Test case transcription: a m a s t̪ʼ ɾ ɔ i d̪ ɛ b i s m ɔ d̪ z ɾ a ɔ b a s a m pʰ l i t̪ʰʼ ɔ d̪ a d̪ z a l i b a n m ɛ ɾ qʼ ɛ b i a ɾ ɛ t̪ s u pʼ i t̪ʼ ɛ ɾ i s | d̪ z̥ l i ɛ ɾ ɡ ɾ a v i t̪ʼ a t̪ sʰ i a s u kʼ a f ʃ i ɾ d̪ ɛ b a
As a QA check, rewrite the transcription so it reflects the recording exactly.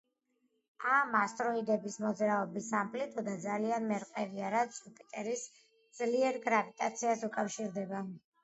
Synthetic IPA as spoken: a m a s t̪ʼ ɾ ɔ i d̪ ɛ b i s m ɔ d̪ z ɾ a ɔ b i s a m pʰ l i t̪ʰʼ ɔ d̪ a d̪ z a l i a n m ɛ ɾ qʼ ɛ v i a ɾ a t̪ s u pʼ i t̪ʼ ɛ ɾ i s | d̪ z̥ l i ɛ ɾ ɡ ɾ a v i t̪ʼ a t̪ sʰ i a s u kʼ a f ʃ i ɾ d̪ ɛ b a

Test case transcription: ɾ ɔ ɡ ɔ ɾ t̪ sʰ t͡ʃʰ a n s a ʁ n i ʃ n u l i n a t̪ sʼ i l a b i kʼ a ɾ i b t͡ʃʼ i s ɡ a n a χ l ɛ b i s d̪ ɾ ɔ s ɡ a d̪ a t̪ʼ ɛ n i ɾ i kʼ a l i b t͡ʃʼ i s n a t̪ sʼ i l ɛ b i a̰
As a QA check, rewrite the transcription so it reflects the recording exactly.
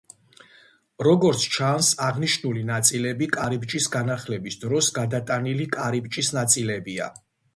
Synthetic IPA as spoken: ɾ ɔ ɡ ɔ ɾ t̪ sʰ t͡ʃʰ a n s a ʁ n i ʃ n u l i n a t̪ sʼ i l ɛ b i kʼ a ɾ i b t͡ʃʼ i s ɡ a n a χ l ɛ b i s d̪ ɾ ɔ s ɡ a d̪ a t̪ʼ a n i l i kʼ a ɾ i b t͡ʃʼ i s n a t̪ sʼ i l ɛ b i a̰

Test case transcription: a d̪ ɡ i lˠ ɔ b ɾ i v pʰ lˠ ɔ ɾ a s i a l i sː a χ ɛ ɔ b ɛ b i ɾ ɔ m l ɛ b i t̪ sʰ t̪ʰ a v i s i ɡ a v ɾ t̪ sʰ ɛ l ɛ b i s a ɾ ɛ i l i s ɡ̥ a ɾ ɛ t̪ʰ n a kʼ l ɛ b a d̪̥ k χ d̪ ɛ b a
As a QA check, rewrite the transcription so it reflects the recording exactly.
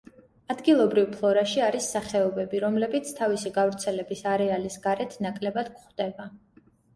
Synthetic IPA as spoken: a d̪ ɡ i lˠ ɔ b ɾ i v pʰ lˠ ɔ ɾ a ʃ i a ɾ i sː a χ ɛ ɔ b ɛ b i ɾ ɔ m l ɛ b i t̪ sʰ t̪ʰ a v i s i ɡ a v ɾ t̪ sʰ ɛ l ɛ b i s a ɾ ɛ a l i s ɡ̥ a ɾ ɛ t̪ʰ n a kʼ l ɛ b a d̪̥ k χ d̪ ɛ b a

